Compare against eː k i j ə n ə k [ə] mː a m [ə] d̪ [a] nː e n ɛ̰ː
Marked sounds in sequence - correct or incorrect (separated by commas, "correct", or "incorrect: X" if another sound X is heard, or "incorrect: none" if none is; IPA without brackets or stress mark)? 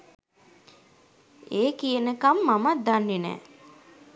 incorrect: a, incorrect: a, correct